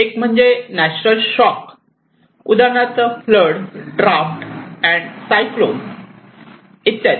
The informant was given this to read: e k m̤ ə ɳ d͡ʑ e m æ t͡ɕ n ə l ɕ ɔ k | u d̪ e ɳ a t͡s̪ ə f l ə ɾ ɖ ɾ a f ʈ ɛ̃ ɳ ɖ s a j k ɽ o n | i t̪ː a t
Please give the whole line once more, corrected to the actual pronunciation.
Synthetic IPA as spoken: e k m̤ ə ɳ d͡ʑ e n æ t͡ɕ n ə l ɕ ɔ k | u d̪ a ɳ a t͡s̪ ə f l ə ɽ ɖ ɾ a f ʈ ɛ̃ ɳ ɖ s a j k l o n | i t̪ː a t